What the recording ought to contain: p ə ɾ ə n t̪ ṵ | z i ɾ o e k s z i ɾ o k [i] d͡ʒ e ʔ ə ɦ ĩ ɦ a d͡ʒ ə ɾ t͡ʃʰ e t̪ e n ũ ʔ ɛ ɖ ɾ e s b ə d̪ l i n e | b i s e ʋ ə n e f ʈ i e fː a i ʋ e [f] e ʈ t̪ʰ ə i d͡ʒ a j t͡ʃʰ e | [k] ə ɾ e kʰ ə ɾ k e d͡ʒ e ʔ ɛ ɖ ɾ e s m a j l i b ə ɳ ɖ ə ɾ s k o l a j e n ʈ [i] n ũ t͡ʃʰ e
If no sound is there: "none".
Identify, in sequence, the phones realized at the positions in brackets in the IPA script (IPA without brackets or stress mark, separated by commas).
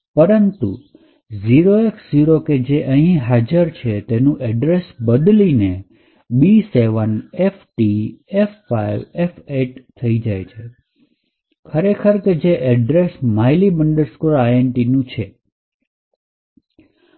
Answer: e, f, kʰ, i